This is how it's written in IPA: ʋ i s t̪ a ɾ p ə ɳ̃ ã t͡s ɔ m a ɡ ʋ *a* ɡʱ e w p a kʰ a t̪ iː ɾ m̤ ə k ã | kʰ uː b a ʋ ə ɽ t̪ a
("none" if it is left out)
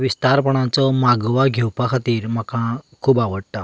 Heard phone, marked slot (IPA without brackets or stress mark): a